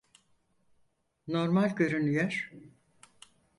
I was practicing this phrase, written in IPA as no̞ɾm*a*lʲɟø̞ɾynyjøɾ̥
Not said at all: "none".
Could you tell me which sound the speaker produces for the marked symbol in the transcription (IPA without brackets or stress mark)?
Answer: a